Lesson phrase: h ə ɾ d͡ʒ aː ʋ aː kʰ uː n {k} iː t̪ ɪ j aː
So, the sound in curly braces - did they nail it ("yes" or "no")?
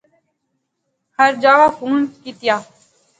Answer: yes